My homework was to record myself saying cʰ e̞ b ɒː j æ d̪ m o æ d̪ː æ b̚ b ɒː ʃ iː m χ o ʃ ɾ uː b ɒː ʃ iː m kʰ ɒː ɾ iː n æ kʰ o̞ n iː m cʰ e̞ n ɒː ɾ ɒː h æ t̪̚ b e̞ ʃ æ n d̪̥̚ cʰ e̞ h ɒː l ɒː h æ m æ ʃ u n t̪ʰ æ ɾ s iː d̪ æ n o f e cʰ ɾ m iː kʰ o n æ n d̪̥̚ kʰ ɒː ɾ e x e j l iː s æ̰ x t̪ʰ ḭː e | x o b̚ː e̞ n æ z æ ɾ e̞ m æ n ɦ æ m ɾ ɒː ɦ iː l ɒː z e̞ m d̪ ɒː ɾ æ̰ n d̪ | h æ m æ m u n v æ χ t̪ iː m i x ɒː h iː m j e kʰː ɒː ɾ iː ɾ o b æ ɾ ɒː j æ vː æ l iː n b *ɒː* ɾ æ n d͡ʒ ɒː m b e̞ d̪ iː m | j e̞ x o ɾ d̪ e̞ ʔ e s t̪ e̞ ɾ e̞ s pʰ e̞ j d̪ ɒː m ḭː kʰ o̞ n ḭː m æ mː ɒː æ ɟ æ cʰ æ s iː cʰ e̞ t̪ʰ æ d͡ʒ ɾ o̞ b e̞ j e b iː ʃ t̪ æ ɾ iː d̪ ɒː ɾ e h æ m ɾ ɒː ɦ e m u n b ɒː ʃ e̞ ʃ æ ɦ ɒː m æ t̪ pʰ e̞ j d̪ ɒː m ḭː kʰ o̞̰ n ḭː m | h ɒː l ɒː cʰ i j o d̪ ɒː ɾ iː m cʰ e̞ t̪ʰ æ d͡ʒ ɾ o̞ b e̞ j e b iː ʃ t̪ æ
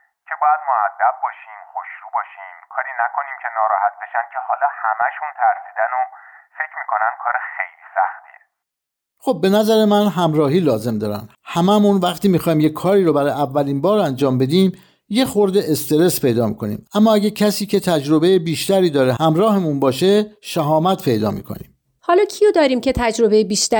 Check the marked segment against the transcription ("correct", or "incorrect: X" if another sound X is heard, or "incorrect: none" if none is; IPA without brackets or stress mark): correct